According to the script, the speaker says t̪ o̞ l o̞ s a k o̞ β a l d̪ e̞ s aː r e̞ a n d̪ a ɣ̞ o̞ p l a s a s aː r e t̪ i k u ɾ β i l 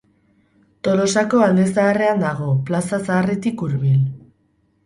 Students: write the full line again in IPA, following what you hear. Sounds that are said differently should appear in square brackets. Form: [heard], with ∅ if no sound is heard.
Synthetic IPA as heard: t̪ o̞ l o̞ s a k o̞ [∅] a l d̪ e̞ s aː r e̞ a n d̪ a ɣ̞ o̞ p l a s a s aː r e t̪ i k u ɾ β i l